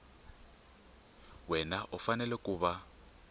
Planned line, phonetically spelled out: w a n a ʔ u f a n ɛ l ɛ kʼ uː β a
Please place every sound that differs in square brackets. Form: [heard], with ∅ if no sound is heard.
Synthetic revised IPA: w [ɛ] n a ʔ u f a n ɛ l ɛ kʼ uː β a